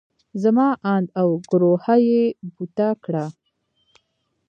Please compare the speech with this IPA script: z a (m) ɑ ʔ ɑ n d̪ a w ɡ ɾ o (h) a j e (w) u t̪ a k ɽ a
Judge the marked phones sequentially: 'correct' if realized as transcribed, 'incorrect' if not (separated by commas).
correct, correct, incorrect